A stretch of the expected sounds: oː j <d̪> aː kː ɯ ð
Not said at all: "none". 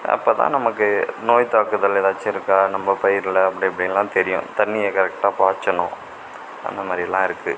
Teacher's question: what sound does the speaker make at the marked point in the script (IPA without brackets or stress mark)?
t̪